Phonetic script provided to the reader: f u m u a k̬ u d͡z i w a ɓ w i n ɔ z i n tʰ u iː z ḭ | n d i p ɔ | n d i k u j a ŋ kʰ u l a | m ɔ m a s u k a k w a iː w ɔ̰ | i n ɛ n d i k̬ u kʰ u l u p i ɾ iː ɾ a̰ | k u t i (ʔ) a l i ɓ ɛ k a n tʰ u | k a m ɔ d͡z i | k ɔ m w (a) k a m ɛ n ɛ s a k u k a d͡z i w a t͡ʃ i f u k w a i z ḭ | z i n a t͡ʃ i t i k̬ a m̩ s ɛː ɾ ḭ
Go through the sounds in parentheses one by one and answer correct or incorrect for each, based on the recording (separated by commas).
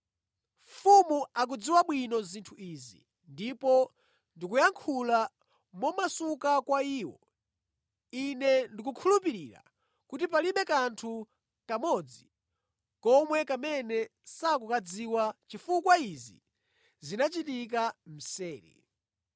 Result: incorrect, incorrect